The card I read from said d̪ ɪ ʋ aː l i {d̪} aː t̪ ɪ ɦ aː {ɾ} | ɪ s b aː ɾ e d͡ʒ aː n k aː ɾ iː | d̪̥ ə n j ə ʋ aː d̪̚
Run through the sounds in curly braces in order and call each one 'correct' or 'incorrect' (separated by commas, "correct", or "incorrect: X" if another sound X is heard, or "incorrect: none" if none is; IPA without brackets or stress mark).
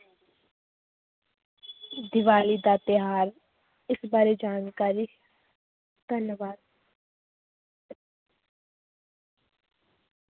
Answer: correct, correct